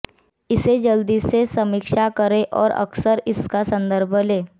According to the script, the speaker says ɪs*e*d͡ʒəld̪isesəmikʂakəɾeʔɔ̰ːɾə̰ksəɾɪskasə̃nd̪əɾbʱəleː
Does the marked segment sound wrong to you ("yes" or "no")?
no